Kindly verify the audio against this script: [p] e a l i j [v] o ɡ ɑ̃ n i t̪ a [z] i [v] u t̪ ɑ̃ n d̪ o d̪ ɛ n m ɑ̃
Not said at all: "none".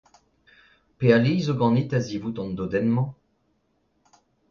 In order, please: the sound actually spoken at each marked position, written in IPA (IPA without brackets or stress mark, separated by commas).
p, z, z, v